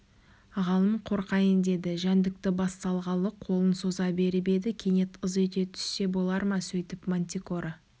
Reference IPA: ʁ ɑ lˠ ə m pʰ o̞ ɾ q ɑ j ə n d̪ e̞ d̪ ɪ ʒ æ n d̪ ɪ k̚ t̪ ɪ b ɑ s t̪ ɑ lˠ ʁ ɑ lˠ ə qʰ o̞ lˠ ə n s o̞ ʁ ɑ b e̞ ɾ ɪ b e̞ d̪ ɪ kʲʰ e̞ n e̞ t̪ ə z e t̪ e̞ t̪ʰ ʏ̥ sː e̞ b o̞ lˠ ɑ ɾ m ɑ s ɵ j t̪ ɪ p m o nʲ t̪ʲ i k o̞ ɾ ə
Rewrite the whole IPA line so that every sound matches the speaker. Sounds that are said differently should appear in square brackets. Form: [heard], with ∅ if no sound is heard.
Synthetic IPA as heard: ʁ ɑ lˠ ə m [qʰ] o̞ ɾ q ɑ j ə n d̪ e̞ d̪ ɪ ʒ æ n d̪ ɪ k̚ t̪ ɪ b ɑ s t̪ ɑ lˠ ʁ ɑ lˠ ə qʰ o̞ lˠ ə n s o̞ [z] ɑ b e̞ ɾ ɪ b e̞ d̪ ɪ kʲʰ e̞ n e̞ t̪ ə z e t̪ e̞ t̪ʰ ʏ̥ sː e̞ b o̞ lˠ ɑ ɾ m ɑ s ɵ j t̪ ɪ p m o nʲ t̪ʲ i k o̞ ɾ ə

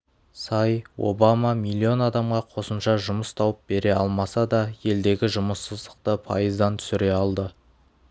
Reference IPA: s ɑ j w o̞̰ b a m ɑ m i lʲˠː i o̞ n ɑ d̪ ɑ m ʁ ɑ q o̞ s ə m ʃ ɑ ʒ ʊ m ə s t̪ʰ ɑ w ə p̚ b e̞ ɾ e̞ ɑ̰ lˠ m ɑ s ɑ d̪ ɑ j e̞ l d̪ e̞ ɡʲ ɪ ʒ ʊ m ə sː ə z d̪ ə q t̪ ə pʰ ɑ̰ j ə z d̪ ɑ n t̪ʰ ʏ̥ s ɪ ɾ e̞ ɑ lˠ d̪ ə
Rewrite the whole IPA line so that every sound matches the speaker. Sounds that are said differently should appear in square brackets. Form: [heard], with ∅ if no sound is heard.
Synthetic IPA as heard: s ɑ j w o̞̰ b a m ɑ m i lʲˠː i o̞ n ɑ d̪ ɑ m ʁ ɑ [qʰ] o̞ s ə m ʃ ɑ ʒ ʊ m ə s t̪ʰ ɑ w ə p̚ b e̞ ɾ e̞ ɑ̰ lˠ m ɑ s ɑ d̪ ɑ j e̞ l d̪ e̞ ɡʲ ɪ ʒ ʊ m ə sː ə z d̪ ə q t̪ ə pʰ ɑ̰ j ə z d̪ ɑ n t̪ʰ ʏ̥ s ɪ ɾ e̞ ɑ lˠ d̪ ə

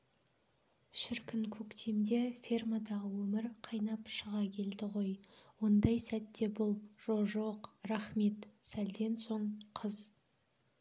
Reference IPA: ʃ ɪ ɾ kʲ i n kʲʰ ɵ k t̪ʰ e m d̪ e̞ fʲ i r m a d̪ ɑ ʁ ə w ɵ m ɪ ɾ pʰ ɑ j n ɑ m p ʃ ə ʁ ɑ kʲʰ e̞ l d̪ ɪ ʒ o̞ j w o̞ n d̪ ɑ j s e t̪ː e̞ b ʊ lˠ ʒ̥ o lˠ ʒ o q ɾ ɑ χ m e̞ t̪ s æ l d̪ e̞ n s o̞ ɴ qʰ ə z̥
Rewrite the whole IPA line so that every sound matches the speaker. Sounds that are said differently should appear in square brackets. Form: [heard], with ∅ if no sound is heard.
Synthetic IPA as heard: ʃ ɪ ɾ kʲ [ɪ] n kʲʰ ɵ k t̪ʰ e m d̪ e̞ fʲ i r m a d̪ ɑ ʁ ə w ɵ m ɪ ɾ [qʰ] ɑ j n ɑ [∅] p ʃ ə ʁ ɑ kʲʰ e̞ l d̪ ɪ [ʁ] o̞ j w o̞ n d̪ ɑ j s [æ] t̪ː e̞ b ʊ lˠ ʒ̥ o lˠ ʒ o q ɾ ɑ χ m e̞ t̪ s æ l d̪ e̞ n s o̞ ɴ qʰ ə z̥

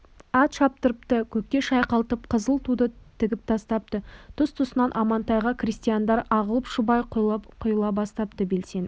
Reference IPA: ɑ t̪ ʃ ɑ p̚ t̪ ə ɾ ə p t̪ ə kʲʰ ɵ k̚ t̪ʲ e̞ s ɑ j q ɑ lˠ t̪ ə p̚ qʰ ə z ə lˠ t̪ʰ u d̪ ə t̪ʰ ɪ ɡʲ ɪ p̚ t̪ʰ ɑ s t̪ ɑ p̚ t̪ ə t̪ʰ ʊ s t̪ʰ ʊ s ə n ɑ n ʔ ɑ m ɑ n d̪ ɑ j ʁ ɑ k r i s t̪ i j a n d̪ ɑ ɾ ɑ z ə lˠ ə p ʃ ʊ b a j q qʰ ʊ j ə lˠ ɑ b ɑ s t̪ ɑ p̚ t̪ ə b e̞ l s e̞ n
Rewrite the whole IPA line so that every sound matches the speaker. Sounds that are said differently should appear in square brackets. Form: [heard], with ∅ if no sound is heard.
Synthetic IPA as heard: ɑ t̪ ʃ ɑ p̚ t̪ ə ɾ ə p t̪ ə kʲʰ ɵ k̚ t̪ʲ e̞ [ʃ] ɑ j q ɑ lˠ t̪ ə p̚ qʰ ə z ə lˠ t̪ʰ u d̪ ə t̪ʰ ɪ ɡʲ ɪ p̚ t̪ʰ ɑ s t̪ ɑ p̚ t̪ ə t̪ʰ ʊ s t̪ʰ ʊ s ə n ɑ n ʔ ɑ m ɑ n [t̪] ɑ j ʁ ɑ k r i s t̪ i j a n d̪ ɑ ɾ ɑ [ʁ] ə lˠ ə p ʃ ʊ b [ɑ] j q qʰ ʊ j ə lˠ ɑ b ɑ s t̪ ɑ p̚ t̪ ə b e̞ l s e̞ n

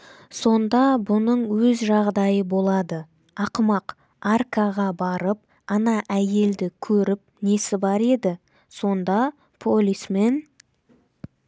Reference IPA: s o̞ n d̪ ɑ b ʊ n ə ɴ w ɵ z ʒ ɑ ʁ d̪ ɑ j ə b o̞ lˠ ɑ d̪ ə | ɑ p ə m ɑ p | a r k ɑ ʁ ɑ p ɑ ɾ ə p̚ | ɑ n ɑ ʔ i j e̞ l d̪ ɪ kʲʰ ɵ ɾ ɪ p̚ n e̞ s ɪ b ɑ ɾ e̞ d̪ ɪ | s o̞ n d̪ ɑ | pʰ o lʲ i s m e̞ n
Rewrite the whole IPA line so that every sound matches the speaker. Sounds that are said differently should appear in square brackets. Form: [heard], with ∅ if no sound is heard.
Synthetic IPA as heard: s o̞ n d̪ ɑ b ʊ n ə ɴ w ɵ z ʒ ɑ ʁ d̪ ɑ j ə b o̞ lˠ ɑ d̪ ə | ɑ [q] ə m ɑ [q] | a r k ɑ ʁ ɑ [b] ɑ ɾ ə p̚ | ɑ n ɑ ʔ [æ] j e̞ l d̪ ɪ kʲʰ ɵ ɾ ɪ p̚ n e̞ s ɪ b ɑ ɾ e̞ d̪ ɪ | s o̞ n d̪ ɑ | pʰ o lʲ i s m e̞ n

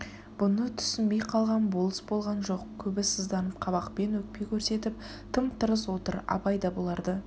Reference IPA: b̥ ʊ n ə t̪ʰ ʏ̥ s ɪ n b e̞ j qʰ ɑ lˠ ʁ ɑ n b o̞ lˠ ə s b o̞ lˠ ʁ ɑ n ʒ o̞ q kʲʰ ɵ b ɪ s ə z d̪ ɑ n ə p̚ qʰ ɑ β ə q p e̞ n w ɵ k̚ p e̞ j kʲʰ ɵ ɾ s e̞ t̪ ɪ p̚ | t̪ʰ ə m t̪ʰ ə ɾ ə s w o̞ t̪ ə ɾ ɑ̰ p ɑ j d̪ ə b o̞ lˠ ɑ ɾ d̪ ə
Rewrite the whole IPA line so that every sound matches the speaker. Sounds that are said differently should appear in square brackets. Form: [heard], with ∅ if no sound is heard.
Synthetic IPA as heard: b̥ ʊ n ə t̪ʰ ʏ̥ s ɪ n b e̞ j qʰ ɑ lˠ ʁ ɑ n b o̞ lˠ ə s b o̞ lˠ ʁ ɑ n ʒ o̞ q kʲʰ ɵ b ɪ s ə z d̪ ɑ n ə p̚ qʰ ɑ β [ɑ] q p e̞ n w ɵ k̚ p e̞ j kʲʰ ɵ ɾ s e̞ t̪ ɪ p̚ | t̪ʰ ə m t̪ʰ ə ɾ ə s w o̞ t̪ ə ɾ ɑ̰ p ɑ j d̪ [ɑ] b o̞ lˠ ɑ ɾ d̪ ə

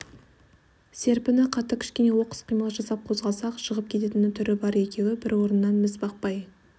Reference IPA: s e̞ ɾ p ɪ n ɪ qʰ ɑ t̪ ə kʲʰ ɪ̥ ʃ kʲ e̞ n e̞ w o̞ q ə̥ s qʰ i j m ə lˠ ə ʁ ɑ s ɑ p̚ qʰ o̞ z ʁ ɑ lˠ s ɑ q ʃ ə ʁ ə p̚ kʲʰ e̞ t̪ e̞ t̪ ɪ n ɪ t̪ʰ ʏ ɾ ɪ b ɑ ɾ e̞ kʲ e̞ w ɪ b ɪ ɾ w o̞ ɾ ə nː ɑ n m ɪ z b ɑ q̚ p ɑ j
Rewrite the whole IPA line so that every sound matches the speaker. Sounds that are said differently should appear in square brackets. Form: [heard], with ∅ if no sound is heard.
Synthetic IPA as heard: s e̞ ɾ p ɪ n ɪ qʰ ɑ t̪ ə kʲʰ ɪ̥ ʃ kʲ e̞ n e̞ w o̞ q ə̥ s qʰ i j m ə lˠ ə [ʒ] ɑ s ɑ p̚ qʰ o̞ z ʁ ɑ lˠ s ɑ q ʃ ə ʁ ə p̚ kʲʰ e̞ t̪ e̞ t̪ ɪ n ɪ t̪ʰ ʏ ɾ ɪ b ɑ ɾ e̞ kʲ e̞ w ɪ b ɪ ɾ w o̞ ɾ ə nː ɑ n m ɪ z b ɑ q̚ p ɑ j

